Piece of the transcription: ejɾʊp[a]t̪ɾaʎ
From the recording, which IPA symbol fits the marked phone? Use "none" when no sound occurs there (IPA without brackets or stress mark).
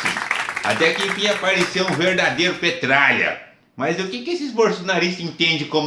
e